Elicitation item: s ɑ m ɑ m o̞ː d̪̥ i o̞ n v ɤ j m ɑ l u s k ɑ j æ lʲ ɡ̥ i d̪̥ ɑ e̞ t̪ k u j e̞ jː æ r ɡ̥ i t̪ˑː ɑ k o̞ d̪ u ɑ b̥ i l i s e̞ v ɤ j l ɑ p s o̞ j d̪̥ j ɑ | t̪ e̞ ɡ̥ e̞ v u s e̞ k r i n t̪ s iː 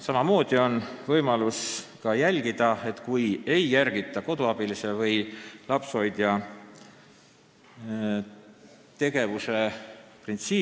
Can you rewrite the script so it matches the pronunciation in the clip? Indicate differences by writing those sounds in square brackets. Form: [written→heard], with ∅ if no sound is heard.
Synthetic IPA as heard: s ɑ m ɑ m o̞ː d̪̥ i o̞ n v ɤ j m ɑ l u s k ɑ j æ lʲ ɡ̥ i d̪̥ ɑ e̞ t̪ k u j e̞ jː æ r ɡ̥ i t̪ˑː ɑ k o̞ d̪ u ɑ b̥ i l i s e̞ v ɤ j l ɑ p s o̞ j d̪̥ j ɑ | t̪ e̞ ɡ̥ e̞ v u s e̞ [k→p] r i n t̪ s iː